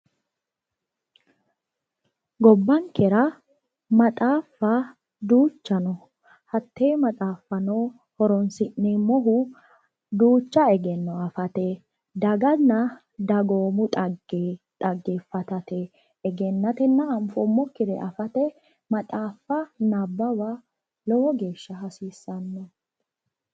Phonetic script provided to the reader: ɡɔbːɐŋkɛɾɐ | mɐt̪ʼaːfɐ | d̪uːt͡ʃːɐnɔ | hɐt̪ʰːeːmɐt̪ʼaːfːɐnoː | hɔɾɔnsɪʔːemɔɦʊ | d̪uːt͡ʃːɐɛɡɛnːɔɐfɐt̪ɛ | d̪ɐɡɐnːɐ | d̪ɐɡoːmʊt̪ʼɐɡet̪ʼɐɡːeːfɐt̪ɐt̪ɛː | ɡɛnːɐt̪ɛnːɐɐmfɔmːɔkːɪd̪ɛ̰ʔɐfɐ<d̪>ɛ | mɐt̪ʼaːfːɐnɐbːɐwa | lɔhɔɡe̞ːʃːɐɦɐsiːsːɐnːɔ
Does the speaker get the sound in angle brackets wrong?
yes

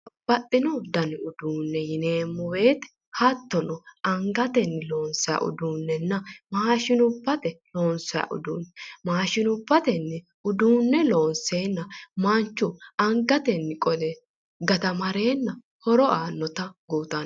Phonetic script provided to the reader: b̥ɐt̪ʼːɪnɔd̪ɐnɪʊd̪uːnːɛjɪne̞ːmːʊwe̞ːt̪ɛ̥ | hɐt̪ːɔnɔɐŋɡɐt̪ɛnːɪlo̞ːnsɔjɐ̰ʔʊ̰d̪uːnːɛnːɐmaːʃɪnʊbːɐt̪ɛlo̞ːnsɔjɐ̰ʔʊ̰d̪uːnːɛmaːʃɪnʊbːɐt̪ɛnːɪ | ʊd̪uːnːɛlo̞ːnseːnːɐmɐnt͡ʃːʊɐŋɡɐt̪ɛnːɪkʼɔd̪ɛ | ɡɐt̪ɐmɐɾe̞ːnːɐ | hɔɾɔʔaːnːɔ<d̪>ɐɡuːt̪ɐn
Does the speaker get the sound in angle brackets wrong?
yes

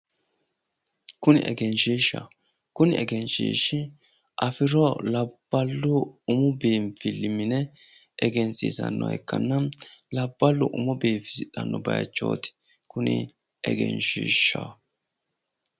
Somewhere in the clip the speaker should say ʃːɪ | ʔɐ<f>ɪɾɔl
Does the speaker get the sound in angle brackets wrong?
no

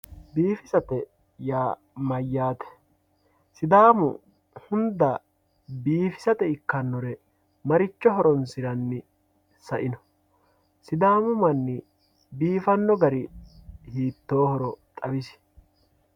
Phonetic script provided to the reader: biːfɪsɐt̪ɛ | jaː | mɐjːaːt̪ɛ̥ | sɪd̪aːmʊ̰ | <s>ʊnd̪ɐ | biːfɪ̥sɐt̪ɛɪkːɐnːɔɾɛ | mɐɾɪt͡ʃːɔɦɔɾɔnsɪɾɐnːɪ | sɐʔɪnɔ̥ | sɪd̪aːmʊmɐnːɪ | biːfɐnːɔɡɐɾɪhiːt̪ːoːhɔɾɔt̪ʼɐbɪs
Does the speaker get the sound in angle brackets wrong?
yes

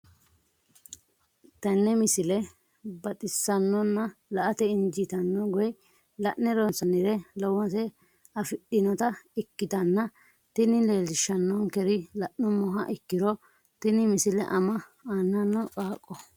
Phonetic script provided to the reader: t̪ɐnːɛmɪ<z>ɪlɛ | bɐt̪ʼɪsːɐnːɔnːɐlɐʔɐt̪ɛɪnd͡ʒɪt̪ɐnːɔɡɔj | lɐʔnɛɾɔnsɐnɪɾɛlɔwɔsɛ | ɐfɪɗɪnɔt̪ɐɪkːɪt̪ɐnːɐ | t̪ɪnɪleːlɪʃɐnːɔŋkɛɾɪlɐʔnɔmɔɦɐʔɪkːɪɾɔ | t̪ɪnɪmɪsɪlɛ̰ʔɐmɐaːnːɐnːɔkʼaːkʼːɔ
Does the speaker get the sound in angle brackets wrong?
yes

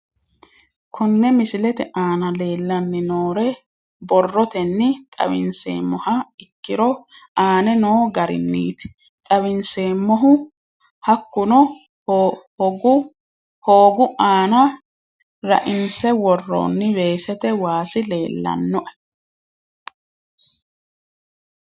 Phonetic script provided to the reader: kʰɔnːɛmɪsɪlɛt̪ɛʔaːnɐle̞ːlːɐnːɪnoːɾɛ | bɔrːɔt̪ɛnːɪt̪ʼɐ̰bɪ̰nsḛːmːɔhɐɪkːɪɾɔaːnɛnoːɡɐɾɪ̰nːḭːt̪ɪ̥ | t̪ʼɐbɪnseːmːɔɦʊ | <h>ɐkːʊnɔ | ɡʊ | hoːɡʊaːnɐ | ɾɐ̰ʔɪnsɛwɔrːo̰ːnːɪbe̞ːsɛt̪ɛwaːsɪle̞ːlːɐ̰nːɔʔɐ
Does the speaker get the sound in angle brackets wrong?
no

